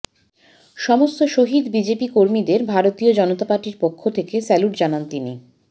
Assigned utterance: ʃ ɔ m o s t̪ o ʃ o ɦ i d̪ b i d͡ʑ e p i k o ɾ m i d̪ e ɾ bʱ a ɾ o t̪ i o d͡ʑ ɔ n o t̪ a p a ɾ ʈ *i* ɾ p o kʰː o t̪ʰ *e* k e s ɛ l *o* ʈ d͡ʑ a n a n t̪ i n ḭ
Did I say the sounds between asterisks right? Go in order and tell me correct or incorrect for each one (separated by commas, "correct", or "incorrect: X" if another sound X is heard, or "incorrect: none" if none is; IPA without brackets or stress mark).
correct, correct, incorrect: u